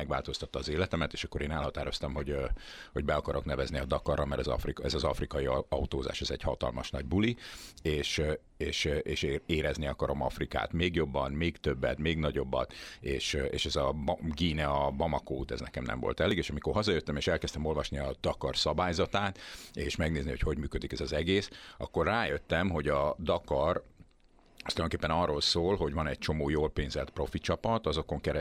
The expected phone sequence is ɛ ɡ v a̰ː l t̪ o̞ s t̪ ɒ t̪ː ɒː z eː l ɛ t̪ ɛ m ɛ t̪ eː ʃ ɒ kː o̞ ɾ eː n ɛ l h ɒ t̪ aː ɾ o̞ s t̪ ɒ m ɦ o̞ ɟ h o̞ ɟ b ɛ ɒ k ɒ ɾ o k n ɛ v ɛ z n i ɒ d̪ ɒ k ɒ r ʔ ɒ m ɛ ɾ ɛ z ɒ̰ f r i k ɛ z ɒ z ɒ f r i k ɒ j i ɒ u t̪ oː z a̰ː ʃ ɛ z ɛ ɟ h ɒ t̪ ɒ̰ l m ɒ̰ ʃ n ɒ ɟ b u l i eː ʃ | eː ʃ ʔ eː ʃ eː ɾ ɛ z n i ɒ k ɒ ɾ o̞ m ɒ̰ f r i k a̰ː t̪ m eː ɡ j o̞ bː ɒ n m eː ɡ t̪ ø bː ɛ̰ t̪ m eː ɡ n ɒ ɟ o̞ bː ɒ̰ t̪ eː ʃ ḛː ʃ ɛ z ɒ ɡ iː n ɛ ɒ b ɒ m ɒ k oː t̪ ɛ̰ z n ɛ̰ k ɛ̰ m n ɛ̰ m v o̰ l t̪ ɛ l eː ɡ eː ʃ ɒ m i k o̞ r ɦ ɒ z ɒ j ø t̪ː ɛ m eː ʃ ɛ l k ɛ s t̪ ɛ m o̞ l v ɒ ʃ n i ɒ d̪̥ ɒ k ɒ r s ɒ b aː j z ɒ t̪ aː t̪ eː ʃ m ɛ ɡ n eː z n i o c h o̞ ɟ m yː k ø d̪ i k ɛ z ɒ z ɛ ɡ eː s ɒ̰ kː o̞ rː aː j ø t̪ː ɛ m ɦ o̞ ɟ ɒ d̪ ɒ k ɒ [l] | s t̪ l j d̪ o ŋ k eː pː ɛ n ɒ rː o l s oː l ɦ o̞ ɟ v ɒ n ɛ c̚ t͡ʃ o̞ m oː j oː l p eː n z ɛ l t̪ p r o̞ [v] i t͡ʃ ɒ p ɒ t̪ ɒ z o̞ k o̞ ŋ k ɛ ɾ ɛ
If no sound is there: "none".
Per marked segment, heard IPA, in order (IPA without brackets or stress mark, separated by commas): r, f